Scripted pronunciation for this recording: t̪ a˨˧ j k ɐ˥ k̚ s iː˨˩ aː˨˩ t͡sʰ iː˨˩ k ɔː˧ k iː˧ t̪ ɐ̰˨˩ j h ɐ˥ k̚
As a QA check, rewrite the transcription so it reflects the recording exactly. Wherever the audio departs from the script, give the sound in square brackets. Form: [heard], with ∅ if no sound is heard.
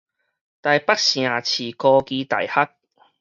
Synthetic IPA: t̪ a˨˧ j [p] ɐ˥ k̚ s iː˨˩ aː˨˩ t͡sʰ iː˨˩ k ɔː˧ k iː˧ t̪ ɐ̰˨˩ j h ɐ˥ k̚